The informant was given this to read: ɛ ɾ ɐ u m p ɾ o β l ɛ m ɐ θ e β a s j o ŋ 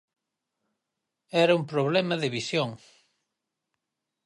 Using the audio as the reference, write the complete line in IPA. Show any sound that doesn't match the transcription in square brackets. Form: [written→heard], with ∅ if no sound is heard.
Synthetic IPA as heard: ɛ ɾ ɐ u m p ɾ o β l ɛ m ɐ [θ→ð] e β [a→i] s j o ŋ